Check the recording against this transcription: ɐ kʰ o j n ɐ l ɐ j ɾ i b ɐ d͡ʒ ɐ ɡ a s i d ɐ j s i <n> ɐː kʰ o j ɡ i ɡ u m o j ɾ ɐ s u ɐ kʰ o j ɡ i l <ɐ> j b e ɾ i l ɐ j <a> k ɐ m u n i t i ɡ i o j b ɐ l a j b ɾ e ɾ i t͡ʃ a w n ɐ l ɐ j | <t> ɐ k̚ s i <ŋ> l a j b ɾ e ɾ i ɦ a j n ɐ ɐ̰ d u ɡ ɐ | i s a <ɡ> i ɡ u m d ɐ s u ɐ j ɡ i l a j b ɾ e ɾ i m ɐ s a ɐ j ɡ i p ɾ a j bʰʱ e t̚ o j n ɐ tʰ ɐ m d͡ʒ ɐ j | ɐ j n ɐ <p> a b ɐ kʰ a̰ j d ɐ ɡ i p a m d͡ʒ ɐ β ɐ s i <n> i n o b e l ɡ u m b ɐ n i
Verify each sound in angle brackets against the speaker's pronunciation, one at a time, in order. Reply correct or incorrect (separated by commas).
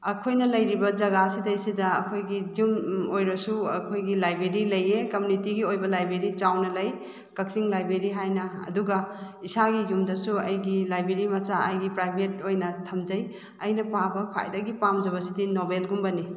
incorrect, incorrect, incorrect, incorrect, correct, correct, correct, incorrect